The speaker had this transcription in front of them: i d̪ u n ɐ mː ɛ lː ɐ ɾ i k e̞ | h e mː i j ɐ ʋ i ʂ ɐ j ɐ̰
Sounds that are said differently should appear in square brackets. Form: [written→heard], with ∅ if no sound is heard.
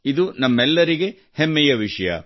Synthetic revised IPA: i d̪ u n ɐ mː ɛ lː ɐ ɾ i [k→ɡ] e̞ | h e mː [i→ɛ] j ɐ ʋ i ʂ ɐ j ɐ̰